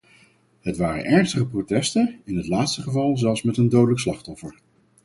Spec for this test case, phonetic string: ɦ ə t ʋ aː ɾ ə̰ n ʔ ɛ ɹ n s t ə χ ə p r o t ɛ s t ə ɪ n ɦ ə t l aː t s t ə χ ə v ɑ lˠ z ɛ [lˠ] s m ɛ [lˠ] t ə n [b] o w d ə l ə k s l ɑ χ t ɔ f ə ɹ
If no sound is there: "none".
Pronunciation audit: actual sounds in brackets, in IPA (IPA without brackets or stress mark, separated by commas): lˠ, none, d